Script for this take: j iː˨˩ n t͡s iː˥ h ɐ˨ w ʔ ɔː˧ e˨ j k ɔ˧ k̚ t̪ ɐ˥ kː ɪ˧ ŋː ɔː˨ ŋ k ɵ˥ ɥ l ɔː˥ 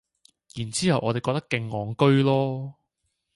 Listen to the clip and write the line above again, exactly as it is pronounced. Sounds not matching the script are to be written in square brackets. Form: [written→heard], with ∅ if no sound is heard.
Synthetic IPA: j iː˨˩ n t͡s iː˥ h ɐ˨ w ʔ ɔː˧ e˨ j k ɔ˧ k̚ t̪ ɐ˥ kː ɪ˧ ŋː ɔː˨ ŋ k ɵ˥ ɥ l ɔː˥